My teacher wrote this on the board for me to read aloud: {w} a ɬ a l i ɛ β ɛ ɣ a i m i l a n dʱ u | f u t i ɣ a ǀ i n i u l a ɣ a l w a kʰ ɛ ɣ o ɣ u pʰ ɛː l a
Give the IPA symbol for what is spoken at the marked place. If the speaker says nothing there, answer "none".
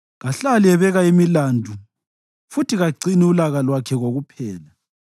ɣ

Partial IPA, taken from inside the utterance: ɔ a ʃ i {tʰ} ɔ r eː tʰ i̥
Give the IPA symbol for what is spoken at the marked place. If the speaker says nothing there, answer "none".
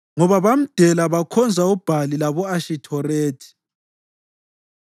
tʰ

